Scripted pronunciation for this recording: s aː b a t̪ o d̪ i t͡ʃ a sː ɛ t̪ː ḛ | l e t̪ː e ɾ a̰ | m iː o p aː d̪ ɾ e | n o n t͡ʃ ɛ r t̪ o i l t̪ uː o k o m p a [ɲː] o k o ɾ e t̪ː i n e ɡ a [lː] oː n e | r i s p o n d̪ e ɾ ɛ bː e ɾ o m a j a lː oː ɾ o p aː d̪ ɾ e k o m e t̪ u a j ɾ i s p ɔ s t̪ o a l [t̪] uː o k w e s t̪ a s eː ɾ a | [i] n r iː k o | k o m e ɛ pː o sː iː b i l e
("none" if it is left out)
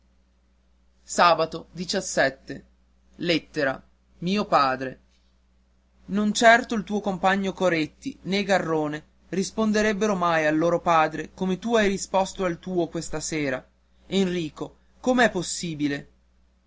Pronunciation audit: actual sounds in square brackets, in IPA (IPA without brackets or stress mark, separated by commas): ɲː, rː, t̪, e